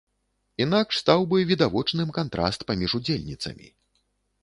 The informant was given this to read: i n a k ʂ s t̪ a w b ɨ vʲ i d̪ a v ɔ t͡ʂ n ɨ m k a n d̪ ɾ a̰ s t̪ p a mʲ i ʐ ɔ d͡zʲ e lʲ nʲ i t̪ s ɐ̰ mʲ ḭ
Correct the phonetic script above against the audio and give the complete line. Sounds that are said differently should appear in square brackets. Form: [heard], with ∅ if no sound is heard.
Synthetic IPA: i n a k ʂ s t̪ a w b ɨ vʲ i d̪ a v ɔ t͡ʂ n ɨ m k a n [t̪] ɾ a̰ s t̪ p a mʲ i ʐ [u] d͡zʲ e lʲ nʲ i t̪ s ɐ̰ mʲ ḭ